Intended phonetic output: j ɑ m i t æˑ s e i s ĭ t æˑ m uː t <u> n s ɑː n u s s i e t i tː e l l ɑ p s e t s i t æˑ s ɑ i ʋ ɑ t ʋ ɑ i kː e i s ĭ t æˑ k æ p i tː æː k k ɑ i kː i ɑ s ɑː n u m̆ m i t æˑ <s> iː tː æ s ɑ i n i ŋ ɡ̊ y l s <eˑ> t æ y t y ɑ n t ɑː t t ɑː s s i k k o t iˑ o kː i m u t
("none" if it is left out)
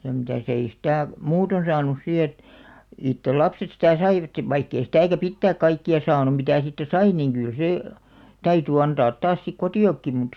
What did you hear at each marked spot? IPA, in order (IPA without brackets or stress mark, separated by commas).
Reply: o, s, eˑ